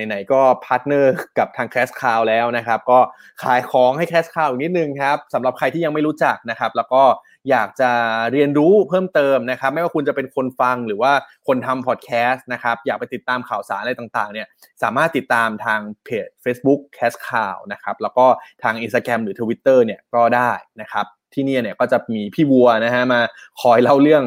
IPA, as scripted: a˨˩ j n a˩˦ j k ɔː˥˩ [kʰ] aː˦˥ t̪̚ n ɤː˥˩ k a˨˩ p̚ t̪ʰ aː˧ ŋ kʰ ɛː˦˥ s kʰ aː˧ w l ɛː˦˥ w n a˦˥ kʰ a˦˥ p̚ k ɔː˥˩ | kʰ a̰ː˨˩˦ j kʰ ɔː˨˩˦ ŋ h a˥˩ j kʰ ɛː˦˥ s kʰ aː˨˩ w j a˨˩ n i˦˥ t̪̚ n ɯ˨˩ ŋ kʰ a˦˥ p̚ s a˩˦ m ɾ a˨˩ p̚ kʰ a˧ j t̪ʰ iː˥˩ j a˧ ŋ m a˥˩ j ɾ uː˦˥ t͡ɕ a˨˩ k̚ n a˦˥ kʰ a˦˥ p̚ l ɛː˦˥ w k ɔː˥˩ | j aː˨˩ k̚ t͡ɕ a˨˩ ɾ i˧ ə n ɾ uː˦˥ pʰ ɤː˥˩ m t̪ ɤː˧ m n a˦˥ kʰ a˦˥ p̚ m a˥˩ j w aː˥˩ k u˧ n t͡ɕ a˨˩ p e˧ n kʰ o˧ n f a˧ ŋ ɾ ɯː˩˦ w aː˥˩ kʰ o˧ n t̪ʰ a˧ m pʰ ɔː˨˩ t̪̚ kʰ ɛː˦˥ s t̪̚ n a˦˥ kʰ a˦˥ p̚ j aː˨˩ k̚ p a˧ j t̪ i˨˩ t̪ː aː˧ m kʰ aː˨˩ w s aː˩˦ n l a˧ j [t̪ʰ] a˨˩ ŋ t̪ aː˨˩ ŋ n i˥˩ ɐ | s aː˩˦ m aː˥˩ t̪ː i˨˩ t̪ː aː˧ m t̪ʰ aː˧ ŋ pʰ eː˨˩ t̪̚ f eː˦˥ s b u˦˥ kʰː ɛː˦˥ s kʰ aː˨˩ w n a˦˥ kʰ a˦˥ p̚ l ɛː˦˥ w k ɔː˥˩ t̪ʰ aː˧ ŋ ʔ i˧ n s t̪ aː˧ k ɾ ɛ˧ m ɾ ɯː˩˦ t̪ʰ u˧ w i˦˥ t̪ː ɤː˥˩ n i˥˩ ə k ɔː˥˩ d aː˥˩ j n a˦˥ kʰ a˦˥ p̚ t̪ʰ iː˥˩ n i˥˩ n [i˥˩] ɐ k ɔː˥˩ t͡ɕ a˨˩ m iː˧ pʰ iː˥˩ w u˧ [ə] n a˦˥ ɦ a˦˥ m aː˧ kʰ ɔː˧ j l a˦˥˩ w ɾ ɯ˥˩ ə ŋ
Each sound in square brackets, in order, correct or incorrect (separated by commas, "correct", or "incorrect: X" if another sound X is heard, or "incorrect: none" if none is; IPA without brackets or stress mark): incorrect: pʰ, incorrect: t̪, incorrect: i˥, incorrect: ɐ